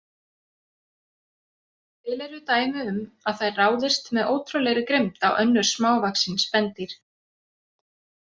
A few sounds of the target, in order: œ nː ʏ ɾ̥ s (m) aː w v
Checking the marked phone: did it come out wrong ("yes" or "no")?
no